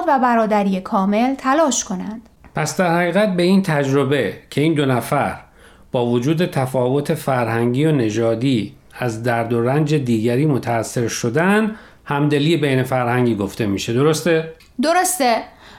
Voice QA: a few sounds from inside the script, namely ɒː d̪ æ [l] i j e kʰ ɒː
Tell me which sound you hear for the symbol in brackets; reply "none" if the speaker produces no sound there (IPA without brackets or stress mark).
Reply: ɾ